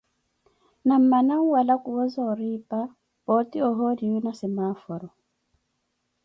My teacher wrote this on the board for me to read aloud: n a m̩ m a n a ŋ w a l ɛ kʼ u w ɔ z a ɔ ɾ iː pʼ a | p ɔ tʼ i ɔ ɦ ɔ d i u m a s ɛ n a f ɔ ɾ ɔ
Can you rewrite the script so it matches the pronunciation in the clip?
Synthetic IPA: n a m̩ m a n a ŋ w a l a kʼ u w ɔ z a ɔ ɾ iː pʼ a | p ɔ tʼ i ɔ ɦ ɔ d i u n a s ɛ m a f ɔ ɾ ɔ